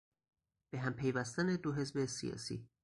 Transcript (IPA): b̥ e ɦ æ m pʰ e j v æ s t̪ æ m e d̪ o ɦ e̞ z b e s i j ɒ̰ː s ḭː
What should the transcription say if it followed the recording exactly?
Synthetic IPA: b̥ e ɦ æ m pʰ e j v æ s t̪ æ n e d̪ o ɦ e̞ z b e s i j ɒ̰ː s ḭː